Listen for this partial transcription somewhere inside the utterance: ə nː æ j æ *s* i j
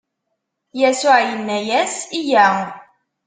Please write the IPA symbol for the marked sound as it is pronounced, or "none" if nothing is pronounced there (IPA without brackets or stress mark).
s